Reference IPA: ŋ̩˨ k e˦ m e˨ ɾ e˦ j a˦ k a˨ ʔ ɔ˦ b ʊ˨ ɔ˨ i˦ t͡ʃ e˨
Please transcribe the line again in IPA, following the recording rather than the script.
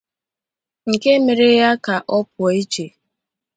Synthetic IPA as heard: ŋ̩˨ k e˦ m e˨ ɾ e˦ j a˦ k a˨ ʔ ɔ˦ p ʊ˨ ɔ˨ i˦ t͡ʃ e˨